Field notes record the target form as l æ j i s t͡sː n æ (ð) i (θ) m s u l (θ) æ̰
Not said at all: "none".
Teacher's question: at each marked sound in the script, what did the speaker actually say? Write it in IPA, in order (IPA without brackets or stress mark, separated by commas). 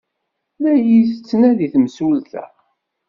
ð, θ, θ